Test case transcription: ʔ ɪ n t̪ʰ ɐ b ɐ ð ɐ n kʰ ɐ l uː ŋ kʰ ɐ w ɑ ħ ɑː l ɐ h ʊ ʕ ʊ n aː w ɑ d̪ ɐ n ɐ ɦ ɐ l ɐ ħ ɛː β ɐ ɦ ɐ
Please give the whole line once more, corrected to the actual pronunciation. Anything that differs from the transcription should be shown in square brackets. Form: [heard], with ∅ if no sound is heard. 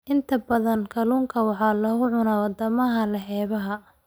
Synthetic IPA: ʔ ɪ n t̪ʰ ɐ b ɐ ð ɐ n kʰ ɐ l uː ŋ kʰ ɐ w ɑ ħ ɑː l ɐ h ʊ ʕ ʊ n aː w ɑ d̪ ɐ [m] ɐ ɦ ɐ l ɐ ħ ɛː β ɐ ɦ ɐ

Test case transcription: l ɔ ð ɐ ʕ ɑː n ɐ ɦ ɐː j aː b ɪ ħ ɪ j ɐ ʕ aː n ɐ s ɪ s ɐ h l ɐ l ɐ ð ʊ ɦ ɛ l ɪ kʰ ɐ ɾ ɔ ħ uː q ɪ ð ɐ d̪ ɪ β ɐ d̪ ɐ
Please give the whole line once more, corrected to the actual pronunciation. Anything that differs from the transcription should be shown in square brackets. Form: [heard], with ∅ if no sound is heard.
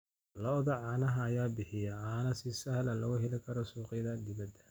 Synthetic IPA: l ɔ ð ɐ ʕ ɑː n ɐ ɦ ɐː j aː b ɪ ħ ɪ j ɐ ʕ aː n ɐ s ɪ s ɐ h l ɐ l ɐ [ɣ] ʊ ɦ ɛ l ɪ kʰ ɐ ɾ ɔ [s] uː q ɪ ð ɐ d̪ ɪ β ɐ d̪ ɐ

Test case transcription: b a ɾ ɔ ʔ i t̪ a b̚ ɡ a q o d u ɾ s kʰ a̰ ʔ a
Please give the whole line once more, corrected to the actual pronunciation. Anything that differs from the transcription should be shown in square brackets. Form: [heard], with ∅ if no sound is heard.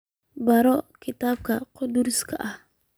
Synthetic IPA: b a ɾ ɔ [k] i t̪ a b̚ [k] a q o d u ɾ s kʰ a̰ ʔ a

